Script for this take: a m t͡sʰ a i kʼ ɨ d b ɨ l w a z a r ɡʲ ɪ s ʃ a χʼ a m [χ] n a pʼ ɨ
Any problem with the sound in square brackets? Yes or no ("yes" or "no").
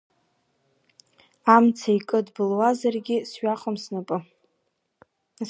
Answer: yes